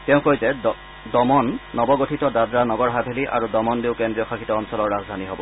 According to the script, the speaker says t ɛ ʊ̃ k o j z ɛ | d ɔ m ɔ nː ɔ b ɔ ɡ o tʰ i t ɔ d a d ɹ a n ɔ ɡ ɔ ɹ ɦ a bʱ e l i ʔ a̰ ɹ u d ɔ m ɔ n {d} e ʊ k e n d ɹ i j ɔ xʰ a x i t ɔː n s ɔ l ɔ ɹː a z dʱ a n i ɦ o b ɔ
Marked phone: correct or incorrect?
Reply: correct